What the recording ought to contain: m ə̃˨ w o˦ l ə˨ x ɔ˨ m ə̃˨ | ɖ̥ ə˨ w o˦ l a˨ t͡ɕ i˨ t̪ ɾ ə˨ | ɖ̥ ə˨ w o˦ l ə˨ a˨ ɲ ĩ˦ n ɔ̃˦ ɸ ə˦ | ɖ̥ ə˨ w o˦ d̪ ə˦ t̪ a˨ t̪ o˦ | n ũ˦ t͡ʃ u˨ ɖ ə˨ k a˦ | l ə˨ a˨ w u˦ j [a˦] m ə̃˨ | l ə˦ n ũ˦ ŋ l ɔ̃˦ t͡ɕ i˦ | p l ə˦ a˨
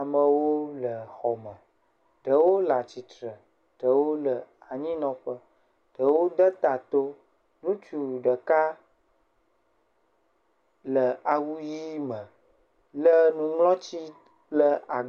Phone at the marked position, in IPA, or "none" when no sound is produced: i˦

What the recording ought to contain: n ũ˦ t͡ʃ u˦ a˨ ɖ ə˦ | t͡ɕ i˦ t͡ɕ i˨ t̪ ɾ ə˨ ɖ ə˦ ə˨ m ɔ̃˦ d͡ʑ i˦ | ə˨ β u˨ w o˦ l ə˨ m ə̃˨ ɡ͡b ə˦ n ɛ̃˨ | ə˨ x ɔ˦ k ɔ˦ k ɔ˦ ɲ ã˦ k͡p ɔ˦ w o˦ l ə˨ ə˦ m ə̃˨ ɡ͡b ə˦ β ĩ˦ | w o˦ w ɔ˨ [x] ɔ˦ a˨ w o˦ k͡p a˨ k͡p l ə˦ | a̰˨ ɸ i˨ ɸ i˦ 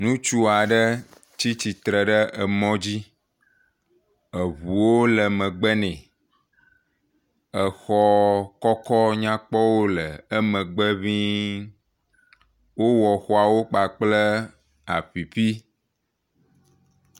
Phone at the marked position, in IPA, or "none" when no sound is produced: x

